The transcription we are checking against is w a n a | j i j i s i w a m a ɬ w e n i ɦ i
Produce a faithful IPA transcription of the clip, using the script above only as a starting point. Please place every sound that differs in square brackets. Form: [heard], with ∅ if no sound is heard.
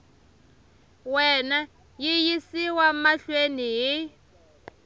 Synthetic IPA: w [ɛ] n a | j i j i s i w a m a ɬ w e n i ɦ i